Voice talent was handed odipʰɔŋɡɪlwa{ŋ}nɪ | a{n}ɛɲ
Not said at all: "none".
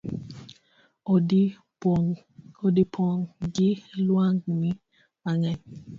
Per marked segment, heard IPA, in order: ŋ, ŋ

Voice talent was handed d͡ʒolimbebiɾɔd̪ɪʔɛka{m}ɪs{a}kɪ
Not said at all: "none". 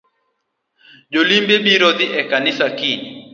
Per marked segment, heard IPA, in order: n, a

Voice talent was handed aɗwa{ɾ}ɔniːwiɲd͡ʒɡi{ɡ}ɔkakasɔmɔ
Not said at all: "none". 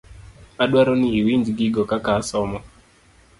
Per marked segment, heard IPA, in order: ɾ, ɡ

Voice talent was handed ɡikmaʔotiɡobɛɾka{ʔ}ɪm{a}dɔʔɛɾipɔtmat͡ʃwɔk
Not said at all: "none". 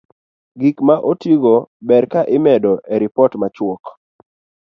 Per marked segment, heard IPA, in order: ʔ, ɛ

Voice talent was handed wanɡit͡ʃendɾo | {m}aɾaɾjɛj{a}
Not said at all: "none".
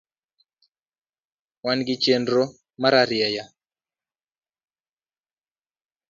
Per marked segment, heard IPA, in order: m, a

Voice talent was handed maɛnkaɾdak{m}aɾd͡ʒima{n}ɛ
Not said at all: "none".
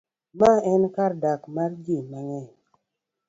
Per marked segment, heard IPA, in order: m, ŋ

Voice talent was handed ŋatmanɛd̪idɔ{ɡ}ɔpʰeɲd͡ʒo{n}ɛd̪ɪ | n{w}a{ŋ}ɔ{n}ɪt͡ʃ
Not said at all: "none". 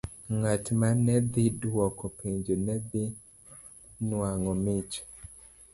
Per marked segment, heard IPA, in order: k, n, w, ŋ, m

